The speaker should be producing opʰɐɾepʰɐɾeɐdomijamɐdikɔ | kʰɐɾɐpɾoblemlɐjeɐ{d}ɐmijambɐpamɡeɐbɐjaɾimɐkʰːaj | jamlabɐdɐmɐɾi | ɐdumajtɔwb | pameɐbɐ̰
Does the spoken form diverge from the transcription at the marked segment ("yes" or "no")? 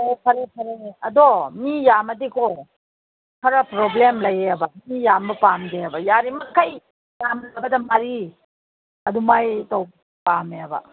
yes